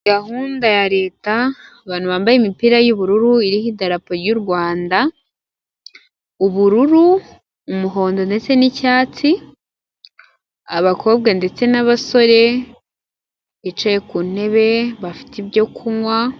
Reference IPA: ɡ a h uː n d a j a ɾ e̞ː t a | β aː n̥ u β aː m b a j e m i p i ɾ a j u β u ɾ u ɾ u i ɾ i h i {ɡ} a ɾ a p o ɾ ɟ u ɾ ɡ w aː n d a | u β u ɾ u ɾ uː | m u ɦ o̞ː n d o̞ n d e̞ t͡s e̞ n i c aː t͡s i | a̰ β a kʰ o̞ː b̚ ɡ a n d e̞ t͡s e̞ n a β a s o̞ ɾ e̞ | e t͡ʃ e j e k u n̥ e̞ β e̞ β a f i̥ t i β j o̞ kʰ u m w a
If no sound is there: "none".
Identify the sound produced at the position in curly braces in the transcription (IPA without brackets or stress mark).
d